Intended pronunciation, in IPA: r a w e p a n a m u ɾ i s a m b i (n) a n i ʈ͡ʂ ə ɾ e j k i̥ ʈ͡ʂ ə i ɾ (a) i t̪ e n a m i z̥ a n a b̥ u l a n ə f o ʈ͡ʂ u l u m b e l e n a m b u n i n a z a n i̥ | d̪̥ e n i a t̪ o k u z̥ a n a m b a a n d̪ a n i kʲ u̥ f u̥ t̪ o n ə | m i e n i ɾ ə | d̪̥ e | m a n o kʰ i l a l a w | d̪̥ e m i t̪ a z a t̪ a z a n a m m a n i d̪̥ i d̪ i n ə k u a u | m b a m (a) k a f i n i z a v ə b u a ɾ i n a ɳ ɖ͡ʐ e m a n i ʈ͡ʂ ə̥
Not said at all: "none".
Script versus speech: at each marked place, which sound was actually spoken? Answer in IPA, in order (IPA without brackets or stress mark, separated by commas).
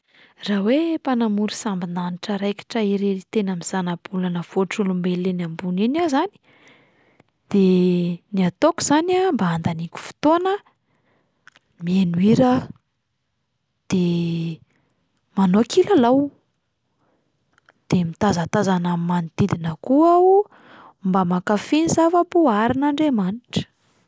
n, e, a